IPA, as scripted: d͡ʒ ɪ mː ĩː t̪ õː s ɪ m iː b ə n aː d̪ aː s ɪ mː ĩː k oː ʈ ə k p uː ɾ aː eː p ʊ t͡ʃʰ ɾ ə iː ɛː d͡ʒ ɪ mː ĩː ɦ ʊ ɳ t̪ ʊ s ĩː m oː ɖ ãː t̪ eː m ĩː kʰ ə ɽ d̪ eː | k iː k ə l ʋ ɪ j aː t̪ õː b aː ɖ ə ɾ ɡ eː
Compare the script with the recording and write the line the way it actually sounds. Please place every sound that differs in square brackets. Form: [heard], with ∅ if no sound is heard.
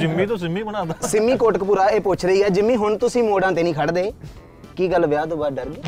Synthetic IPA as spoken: d͡ʒ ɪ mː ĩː t̪ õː s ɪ m iː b ə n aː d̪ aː s ɪ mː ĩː k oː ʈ ə k p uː ɾ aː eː p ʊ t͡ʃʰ ɾ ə iː ɛː d͡ʒ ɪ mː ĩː ɦ ʊ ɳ t̪ ʊ s ĩː m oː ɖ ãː t̪ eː [n] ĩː kʰ ə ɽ d̪ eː | k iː [ɡ] ə l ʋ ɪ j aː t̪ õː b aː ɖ ə ɾ ɡ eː